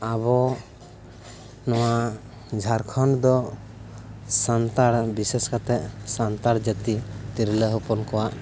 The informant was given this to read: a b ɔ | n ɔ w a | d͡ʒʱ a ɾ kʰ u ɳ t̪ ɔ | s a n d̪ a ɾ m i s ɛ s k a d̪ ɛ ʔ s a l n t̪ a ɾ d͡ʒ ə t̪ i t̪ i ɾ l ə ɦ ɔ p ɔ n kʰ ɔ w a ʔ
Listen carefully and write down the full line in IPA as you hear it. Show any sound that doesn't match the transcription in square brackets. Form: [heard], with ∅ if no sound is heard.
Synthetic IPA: a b ɔ | n ɔ w a | d͡ʒʱ a ɾ kʰ [ɔ] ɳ [d̪] ɔ | s a n [t̪] a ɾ [b] i s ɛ s k a [t̪] ɛ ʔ s a [∅] n t̪ a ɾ d͡ʒ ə t̪ i t̪ i ɾ l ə ɦ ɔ p ɔ n [k] ɔ w a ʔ